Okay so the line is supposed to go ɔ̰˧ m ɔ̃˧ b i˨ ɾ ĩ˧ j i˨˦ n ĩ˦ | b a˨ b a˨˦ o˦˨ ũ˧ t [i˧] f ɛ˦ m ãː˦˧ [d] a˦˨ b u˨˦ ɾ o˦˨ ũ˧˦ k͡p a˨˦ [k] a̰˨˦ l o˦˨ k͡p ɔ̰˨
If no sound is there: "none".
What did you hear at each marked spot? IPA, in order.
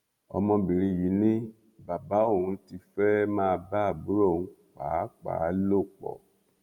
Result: i˧, b, k͡p

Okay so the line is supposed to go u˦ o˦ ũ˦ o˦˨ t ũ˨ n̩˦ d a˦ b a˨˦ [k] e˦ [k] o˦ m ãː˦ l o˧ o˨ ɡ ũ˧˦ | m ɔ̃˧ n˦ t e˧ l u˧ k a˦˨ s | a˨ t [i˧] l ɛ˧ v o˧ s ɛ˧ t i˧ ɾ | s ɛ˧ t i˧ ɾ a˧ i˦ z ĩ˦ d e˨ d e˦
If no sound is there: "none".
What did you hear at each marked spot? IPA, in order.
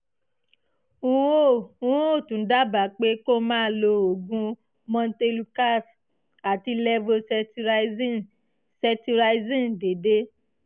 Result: k͡p, k, i˧

